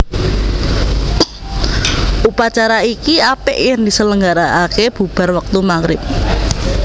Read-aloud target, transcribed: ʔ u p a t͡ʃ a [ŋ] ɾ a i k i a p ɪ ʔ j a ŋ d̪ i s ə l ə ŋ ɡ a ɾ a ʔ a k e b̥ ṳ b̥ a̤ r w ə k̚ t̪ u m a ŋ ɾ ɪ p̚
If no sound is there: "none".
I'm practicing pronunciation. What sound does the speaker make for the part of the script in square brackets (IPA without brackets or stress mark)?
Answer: none